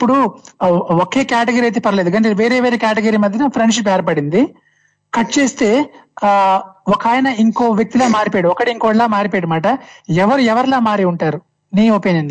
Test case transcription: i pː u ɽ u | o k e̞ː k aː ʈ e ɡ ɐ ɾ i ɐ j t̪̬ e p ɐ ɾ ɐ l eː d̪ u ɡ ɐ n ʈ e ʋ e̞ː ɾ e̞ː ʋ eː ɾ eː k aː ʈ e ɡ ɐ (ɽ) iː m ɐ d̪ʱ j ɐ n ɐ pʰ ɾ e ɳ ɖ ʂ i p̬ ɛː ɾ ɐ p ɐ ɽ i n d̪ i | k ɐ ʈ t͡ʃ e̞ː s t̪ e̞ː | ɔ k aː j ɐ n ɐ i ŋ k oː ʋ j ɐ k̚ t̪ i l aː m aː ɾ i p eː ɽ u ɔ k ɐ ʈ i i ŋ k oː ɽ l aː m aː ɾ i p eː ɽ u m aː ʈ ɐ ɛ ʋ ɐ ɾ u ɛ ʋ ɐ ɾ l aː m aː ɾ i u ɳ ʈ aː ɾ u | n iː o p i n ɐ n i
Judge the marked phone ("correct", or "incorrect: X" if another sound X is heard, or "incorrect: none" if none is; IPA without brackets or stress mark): incorrect: ɾ